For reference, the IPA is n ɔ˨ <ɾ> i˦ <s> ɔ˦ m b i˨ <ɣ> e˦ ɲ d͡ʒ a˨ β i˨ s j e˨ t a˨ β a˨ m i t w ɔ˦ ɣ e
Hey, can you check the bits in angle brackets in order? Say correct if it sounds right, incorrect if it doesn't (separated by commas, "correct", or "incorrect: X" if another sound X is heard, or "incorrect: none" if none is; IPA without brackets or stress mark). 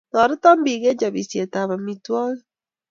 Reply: correct, incorrect: t, correct